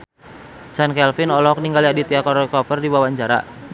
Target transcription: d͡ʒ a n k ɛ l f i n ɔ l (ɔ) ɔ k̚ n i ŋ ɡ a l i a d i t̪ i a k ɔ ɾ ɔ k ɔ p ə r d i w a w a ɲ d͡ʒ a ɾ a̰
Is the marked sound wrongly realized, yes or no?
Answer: no